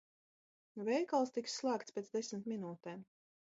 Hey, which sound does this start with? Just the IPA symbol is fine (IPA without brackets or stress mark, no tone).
v